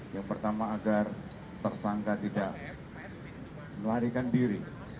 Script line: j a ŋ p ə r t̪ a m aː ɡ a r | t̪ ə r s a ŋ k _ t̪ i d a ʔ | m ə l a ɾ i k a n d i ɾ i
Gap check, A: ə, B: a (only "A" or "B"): B